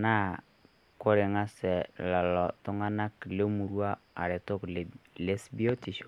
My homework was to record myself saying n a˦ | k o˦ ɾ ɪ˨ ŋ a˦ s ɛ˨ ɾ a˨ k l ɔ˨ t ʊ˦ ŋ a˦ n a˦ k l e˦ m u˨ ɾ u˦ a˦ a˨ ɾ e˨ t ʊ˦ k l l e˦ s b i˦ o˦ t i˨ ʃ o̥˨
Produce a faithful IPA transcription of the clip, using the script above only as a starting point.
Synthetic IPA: n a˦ | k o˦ ɾ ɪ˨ ŋ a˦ s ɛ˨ l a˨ l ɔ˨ t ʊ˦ ŋ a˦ n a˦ k l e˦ m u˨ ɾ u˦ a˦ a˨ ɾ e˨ t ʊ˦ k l l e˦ s b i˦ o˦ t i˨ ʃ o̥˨